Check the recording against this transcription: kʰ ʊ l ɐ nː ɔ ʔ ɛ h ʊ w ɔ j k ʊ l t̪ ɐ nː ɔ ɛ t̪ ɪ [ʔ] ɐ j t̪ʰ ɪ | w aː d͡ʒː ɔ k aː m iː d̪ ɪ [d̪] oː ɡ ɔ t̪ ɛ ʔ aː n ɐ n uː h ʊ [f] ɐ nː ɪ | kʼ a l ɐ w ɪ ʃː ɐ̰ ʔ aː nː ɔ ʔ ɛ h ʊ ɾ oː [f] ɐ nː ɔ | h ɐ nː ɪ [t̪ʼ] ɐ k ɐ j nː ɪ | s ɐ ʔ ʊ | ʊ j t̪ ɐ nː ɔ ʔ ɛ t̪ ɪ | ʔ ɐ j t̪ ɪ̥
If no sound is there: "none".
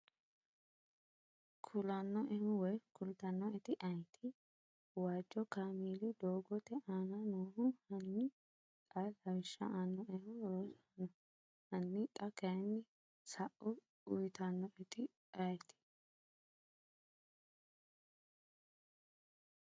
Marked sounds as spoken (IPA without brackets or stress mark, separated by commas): ʔ, d̪, h, s, t̪ʼ